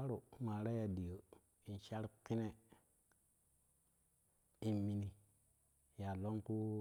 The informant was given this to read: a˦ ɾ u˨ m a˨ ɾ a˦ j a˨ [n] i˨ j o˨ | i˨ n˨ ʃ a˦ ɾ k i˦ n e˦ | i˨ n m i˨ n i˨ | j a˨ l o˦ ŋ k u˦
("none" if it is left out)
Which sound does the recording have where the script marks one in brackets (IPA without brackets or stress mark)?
d